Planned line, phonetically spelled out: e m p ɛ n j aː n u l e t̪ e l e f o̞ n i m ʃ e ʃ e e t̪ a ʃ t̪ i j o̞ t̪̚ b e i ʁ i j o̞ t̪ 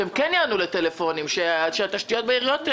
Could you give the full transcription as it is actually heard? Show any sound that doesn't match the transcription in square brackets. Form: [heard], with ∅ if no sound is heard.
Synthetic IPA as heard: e m [k] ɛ n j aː n u l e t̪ e l e f o̞ n i m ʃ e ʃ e [a] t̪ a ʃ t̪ i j o̞ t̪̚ b e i ʁ i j o̞ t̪